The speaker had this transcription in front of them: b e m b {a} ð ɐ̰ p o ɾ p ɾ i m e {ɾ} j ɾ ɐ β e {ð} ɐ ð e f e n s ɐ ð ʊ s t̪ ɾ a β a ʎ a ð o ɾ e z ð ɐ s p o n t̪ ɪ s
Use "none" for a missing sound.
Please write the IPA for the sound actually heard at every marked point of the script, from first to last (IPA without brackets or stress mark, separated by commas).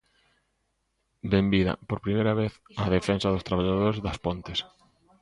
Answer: i, none, θ